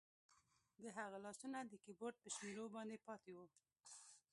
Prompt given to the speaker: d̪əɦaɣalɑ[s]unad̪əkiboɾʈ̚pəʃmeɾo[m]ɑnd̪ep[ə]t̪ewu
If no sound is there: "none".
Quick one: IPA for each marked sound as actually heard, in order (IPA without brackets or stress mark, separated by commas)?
s, b, ɑ